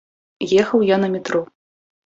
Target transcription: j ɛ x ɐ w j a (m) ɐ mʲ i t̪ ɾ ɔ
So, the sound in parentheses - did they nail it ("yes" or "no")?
no